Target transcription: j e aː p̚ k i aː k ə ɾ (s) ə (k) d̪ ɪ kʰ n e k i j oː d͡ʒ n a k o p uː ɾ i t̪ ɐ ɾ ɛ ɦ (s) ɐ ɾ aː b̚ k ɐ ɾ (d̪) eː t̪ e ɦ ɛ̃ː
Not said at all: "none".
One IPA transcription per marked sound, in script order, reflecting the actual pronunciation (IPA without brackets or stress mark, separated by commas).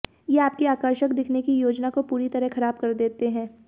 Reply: ʃ, k, x, d̪